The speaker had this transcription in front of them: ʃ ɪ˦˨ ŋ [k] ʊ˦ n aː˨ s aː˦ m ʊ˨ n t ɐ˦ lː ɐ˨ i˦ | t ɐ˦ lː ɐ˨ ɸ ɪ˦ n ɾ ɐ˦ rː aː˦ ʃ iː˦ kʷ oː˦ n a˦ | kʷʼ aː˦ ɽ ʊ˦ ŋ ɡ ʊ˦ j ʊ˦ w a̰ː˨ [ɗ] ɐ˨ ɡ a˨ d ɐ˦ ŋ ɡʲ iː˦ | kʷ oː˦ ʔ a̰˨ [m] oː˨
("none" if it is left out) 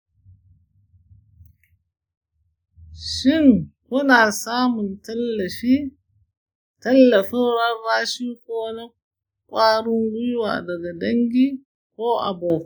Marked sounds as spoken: k, d, b

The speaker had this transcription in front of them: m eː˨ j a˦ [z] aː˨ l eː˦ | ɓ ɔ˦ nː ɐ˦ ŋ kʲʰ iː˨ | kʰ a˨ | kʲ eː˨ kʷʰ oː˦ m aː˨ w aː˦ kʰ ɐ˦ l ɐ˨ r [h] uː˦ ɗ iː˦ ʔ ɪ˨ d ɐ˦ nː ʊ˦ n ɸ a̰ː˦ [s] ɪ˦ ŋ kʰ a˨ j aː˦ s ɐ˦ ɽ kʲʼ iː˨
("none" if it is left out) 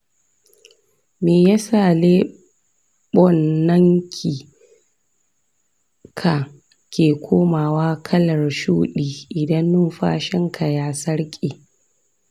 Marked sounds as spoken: s, ʃ, ʃ

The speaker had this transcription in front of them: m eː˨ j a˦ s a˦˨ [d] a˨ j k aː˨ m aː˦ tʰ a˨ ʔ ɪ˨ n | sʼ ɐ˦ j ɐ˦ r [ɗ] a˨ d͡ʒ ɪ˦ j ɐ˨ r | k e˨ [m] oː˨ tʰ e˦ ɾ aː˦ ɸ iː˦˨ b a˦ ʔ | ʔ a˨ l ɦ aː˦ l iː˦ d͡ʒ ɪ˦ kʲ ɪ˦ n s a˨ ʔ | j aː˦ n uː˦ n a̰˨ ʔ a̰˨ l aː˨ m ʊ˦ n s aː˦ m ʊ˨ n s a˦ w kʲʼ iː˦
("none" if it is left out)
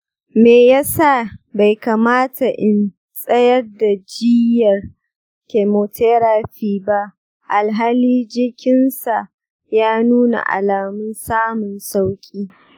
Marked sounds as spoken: b, d, m

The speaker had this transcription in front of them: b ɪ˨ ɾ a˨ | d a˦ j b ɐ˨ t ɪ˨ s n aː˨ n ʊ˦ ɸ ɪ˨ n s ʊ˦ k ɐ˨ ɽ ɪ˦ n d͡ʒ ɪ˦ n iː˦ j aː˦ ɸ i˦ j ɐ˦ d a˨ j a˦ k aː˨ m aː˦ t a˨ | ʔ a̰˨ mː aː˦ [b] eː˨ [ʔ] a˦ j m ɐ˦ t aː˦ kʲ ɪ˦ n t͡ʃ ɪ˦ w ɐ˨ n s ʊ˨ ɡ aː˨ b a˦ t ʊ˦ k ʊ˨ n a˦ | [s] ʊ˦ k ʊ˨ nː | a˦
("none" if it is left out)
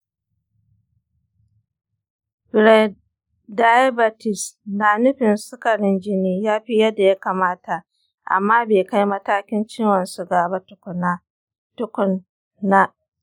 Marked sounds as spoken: b, k, t

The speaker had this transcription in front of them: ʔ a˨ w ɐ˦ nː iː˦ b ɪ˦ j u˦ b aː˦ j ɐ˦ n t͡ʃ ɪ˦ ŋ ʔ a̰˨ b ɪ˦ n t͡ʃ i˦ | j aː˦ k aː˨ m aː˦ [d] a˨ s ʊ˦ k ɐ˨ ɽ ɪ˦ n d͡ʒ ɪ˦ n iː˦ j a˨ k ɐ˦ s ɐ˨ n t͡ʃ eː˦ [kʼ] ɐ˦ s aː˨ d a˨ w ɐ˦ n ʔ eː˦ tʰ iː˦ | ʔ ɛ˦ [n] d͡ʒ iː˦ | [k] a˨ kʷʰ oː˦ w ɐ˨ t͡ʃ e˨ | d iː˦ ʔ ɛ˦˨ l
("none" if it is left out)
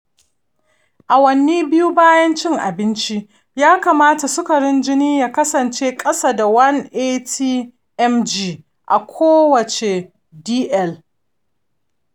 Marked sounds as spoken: t, kʼ, m, ʔ

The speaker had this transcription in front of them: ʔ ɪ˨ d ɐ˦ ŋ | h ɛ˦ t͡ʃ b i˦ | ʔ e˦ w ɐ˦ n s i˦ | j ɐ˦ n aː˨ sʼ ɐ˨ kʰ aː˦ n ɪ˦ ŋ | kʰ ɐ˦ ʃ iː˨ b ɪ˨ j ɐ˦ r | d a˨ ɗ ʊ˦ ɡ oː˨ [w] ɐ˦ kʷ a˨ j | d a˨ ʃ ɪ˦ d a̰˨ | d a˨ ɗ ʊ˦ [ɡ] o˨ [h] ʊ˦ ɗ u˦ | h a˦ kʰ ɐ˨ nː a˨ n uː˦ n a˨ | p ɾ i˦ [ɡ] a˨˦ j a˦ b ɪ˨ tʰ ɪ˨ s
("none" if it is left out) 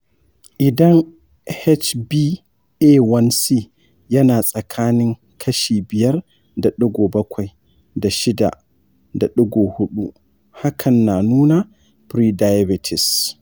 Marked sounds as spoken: b, ɡ, h, d

